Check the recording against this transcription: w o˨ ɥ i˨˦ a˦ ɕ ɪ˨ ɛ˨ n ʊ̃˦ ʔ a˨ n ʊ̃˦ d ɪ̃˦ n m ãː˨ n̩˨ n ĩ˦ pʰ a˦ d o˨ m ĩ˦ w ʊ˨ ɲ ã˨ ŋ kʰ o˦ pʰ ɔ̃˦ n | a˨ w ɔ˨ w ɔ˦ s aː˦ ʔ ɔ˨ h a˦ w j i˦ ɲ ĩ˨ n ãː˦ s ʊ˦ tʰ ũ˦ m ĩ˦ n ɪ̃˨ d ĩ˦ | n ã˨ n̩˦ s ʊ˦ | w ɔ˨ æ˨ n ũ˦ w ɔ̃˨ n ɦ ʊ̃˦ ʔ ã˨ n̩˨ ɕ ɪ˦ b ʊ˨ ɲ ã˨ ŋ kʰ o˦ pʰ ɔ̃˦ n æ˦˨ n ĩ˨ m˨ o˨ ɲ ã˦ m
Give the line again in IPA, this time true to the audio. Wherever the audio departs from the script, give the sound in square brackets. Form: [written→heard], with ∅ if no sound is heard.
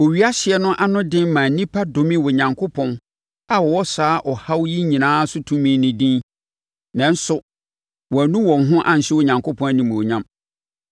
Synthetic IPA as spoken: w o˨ ɥ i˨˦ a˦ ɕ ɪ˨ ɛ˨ n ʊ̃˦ ʔ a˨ n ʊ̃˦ d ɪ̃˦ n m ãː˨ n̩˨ n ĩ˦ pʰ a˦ d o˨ m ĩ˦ w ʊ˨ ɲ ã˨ ŋ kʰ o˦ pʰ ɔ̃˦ n | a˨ w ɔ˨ w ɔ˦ s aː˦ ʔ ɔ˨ h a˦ w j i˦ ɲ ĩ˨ n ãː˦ s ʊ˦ tʰ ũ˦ m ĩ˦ n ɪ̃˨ d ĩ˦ | n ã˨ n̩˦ s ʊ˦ | w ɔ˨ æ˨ n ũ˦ w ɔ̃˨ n ɦ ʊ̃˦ ʔ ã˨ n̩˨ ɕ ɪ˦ [b→w] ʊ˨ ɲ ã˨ ŋ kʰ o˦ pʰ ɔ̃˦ n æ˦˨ n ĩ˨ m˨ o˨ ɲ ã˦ m